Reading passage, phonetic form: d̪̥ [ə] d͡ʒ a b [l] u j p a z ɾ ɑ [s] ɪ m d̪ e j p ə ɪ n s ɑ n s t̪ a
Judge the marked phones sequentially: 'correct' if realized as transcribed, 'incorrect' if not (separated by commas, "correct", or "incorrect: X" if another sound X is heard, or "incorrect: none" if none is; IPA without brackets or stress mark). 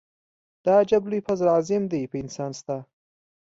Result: incorrect: ɑ, correct, incorrect: z